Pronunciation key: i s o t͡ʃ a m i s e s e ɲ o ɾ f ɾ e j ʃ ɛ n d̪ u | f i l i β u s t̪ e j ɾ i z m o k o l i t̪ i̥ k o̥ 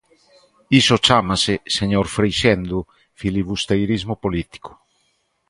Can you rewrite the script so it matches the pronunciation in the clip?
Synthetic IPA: i s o t͡ʃ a m a s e s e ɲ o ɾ f ɾ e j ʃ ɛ n d̪ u | f i l i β u s t̪ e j ɾ i z m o p o l i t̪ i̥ k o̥